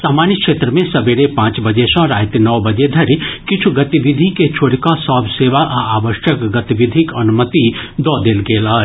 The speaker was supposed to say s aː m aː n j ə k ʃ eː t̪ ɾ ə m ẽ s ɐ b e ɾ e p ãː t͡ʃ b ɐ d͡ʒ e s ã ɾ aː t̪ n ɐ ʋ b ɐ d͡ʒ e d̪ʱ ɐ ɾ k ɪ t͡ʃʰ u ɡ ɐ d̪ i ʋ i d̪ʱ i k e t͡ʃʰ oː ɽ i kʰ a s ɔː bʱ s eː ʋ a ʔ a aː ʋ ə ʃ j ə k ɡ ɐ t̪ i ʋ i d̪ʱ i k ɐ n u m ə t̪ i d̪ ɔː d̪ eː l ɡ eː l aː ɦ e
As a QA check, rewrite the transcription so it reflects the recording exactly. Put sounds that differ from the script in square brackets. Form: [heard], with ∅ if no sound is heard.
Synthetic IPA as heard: s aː m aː n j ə k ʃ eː t̪ ɾ ə m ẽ s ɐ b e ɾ e p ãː t͡ʃ b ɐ d͡ʒ e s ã ɾ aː t̪ n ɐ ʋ b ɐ d͡ʒ e d̪ʱ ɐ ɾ k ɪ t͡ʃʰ u ɡ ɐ [t̪] i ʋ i d̪ʱ i k e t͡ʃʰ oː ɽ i [k] a s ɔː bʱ s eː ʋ a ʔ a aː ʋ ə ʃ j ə k ɡ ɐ t̪ i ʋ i d̪ʱ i k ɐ n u m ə t̪ i d̪ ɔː d̪ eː l ɡ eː l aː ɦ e